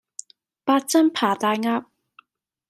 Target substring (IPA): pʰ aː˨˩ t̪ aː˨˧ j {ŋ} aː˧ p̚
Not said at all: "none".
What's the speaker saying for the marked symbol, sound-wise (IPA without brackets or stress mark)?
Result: ŋ